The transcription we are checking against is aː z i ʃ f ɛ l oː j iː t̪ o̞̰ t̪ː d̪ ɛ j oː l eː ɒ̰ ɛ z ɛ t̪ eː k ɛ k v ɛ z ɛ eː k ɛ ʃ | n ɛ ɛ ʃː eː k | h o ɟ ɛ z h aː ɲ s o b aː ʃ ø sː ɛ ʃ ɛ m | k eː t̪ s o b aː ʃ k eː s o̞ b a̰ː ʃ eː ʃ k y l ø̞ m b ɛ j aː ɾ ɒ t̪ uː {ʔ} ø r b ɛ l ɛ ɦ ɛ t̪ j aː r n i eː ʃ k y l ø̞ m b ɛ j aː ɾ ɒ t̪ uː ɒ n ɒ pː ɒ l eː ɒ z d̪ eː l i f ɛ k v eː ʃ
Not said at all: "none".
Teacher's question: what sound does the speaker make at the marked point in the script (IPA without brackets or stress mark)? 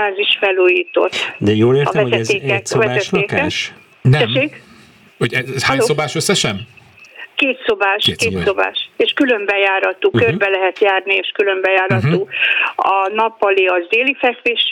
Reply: k